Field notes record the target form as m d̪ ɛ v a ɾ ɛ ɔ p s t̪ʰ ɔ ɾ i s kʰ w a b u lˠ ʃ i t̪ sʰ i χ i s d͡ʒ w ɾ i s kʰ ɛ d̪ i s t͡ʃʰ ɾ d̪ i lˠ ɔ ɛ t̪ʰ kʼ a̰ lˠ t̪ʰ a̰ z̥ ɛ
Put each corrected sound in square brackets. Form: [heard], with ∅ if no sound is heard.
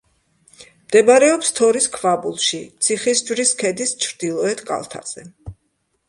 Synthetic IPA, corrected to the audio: m d̪ ɛ [b] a ɾ ɛ ɔ p s t̪ʰ ɔ ɾ i s kʰ [v] a b u lˠ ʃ i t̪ sʰ i χ i s d͡ʒ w ɾ i s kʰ ɛ d̪ i s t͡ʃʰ ɾ d̪ i lˠ ɔ ɛ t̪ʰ kʼ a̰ lˠ t̪ʰ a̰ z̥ ɛ